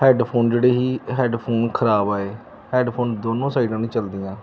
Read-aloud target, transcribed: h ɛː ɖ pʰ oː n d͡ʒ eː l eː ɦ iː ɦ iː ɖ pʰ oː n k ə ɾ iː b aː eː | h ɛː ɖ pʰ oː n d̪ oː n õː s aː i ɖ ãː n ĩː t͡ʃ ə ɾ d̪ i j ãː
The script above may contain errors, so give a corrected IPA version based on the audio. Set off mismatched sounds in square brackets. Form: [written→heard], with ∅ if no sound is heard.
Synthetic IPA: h ɛː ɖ pʰ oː n d͡ʒ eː [l→ɽ] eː ɦ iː ɦ [iː→ɛː] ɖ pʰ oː n [k→kʰ] ə ɾ [iː→aː] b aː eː | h ɛː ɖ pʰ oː n d̪ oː n õː s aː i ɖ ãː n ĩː t͡ʃ ə [ɾ→l] d̪ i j ãː